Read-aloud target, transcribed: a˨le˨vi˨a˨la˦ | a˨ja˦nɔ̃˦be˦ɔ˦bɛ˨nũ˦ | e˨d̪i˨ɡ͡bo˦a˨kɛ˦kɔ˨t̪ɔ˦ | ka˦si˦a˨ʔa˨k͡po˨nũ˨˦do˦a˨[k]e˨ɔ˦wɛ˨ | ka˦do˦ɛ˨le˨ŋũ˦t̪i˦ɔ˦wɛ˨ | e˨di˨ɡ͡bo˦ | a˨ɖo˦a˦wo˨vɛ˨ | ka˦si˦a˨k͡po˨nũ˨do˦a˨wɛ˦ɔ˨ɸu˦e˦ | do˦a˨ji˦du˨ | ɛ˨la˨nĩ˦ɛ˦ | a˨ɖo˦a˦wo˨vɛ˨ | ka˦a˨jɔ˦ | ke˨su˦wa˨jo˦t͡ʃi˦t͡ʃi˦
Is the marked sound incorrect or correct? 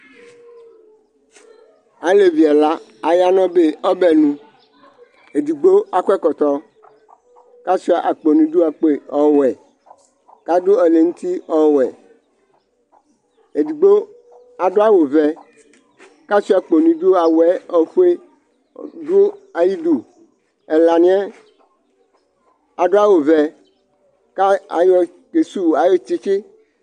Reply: incorrect